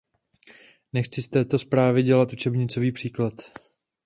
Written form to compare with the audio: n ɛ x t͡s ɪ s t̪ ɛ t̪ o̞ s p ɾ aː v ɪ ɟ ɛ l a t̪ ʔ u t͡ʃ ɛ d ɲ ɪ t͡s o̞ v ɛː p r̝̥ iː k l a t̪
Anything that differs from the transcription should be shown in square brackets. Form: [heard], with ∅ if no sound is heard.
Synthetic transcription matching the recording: n ɛ x t͡s ɪ s t̪ [ɛː] t̪ o̞ s p ɾ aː v ɪ ɟ ɛ l a t̪ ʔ u t͡ʃ ɛ [b] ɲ ɪ t͡s o̞ v [iː] p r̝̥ iː k l a t̪